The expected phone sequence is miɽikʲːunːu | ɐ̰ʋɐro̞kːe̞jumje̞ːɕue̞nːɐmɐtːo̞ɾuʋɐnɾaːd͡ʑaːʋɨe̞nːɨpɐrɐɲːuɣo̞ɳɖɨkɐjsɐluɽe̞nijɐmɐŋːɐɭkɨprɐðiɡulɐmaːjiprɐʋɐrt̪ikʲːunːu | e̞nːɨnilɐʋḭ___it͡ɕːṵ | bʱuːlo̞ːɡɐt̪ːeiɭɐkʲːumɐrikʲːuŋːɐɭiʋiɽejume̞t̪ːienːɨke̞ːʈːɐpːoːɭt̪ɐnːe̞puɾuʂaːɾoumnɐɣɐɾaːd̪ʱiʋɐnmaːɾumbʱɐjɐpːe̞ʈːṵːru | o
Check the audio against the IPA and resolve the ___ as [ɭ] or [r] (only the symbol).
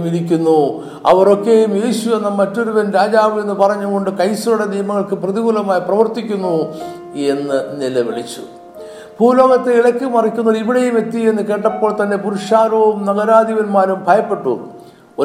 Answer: ɭ